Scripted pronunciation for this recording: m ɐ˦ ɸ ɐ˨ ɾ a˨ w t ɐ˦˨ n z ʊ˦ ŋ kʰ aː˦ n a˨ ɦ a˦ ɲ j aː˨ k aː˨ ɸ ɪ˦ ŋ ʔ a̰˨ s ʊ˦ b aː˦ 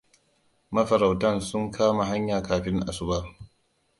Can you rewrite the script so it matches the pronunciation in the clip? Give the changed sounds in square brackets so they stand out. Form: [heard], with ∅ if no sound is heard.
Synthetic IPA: m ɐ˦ ɸ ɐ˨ ɾ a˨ w t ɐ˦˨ n [s] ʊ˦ ŋ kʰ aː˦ [m] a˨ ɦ a˦ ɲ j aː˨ k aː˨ ɸ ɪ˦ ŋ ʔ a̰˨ s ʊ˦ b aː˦